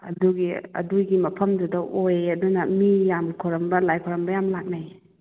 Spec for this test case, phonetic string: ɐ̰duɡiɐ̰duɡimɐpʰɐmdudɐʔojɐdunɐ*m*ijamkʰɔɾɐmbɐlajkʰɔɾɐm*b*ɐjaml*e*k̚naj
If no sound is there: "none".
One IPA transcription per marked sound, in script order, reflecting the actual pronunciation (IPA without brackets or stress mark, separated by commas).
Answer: m, b, a